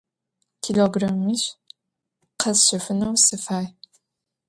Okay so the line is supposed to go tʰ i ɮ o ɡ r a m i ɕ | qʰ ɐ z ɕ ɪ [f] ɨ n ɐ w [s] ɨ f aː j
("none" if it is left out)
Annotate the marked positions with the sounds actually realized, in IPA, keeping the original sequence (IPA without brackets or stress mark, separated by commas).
f, s